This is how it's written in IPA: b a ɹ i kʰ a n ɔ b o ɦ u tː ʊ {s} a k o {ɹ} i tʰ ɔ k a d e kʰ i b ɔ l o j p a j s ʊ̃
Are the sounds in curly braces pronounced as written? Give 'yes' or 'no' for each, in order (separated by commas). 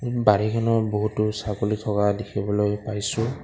yes, no